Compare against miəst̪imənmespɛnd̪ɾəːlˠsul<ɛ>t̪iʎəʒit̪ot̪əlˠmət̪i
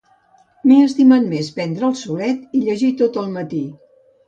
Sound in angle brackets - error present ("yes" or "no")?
no